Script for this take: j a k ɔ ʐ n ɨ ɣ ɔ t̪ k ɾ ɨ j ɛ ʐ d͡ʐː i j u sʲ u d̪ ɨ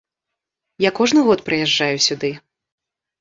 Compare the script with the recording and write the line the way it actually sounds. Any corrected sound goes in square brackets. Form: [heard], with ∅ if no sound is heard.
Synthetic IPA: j a k ɔ ʐ n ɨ ɣ ɔ t̪ [p] ɾ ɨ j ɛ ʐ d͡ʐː [a] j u sʲ u d̪ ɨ